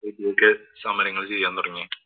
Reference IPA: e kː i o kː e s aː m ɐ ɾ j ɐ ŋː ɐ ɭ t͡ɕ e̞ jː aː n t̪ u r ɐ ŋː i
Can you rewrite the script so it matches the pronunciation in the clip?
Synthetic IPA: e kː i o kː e s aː m ɐ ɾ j ɐ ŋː ɐ ɭ t͡ɕ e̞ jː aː n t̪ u r ɐ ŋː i